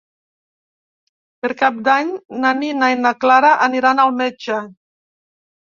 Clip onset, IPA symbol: p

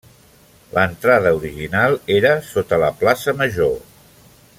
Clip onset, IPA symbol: l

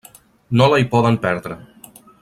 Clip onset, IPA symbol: n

